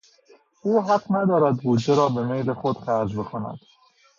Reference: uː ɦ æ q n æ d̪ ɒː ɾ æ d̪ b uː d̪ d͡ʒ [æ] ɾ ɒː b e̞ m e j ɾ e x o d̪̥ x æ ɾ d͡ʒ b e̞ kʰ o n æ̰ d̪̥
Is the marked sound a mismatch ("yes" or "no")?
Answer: yes